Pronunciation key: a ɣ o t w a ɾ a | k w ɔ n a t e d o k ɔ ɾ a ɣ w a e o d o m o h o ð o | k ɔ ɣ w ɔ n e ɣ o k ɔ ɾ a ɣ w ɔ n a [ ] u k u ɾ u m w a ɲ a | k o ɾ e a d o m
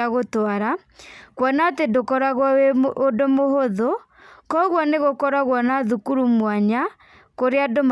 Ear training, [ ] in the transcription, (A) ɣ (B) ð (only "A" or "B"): B